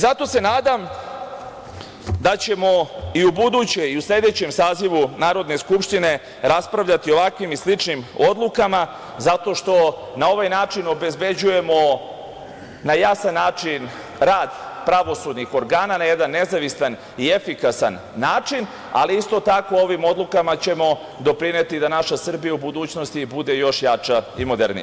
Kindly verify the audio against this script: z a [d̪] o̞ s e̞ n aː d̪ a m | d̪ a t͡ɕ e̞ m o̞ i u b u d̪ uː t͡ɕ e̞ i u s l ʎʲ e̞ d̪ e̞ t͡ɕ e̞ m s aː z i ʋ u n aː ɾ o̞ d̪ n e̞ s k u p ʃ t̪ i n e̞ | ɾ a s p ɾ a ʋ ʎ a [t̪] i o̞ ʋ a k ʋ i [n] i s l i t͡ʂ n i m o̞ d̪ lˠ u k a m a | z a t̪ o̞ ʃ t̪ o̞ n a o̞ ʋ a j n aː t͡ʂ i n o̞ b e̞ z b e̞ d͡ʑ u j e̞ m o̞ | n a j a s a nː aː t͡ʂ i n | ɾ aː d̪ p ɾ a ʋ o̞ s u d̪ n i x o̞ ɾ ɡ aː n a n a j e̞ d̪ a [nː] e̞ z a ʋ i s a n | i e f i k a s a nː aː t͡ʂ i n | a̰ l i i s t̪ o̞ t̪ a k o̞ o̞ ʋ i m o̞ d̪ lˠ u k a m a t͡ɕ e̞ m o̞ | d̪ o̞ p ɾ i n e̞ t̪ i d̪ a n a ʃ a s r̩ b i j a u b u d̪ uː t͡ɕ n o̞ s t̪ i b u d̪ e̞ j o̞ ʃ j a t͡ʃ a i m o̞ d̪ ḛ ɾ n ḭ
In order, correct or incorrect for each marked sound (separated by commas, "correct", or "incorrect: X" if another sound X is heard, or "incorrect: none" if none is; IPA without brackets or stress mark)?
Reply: incorrect: t̪, correct, incorrect: m, correct